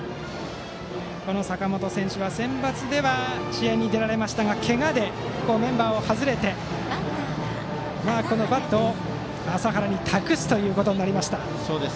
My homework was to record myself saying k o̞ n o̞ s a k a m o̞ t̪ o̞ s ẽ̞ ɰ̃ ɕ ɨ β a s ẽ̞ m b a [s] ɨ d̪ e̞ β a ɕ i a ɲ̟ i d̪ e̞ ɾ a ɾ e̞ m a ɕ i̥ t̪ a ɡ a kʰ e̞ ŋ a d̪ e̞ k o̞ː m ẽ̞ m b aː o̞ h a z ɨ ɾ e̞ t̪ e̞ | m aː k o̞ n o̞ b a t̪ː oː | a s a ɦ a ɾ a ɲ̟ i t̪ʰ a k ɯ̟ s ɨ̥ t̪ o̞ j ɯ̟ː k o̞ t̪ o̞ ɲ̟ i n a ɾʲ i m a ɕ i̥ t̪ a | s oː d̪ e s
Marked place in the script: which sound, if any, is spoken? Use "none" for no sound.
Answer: t͡s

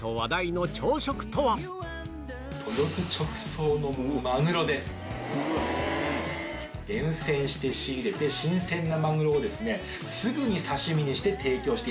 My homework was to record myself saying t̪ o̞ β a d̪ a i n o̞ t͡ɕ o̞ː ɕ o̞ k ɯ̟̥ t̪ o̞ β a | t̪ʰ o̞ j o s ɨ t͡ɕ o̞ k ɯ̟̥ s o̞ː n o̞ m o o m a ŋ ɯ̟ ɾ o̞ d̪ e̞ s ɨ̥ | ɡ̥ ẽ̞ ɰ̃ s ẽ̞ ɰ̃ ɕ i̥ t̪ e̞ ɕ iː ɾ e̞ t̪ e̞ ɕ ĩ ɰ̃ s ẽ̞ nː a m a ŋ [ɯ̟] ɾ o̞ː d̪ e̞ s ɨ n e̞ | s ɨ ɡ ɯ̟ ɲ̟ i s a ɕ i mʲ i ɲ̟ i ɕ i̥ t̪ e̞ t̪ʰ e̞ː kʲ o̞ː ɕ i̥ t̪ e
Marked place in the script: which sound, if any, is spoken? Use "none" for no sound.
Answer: ɯ̟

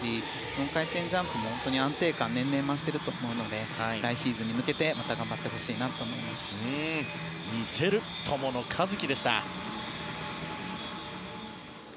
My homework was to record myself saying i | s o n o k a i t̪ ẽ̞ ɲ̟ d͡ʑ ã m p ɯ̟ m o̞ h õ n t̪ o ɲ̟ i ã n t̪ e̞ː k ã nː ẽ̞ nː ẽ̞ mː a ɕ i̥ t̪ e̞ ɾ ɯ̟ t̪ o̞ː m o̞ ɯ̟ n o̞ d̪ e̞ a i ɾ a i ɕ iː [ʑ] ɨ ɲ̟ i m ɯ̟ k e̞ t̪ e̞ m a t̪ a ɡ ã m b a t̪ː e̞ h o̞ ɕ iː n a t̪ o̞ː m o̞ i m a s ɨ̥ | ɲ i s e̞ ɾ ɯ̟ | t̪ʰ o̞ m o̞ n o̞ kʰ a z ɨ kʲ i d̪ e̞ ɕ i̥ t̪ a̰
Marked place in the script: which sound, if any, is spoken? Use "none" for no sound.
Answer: z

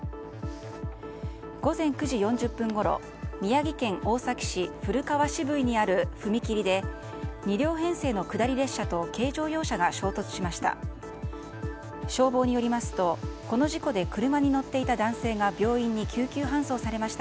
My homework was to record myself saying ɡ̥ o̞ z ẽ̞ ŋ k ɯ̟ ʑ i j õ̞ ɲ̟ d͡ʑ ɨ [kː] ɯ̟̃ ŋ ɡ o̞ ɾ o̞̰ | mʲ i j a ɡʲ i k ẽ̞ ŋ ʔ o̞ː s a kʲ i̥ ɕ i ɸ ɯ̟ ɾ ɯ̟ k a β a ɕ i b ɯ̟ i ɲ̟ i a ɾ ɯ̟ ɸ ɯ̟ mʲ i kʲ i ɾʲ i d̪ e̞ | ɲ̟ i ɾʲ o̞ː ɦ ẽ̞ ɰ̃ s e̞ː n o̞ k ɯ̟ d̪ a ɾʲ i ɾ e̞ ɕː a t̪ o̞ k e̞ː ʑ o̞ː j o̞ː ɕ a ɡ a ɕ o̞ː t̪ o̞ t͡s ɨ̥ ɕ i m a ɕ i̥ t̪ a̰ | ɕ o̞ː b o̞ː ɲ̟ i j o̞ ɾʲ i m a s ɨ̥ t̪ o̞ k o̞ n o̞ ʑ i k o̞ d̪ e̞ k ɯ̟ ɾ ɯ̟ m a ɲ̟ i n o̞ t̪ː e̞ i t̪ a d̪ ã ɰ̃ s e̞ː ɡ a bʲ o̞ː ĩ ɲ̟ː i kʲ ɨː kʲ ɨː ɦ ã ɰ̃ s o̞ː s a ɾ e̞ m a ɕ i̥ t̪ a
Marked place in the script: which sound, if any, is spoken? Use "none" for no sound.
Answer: pː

